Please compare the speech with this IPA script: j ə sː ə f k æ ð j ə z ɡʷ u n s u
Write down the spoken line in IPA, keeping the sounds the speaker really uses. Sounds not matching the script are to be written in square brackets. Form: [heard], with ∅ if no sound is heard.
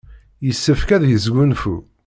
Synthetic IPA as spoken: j ə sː ə f k æ ð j ə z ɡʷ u n [f] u